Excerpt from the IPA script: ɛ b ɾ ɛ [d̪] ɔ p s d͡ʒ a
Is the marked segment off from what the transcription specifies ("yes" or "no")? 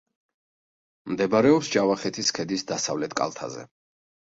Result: yes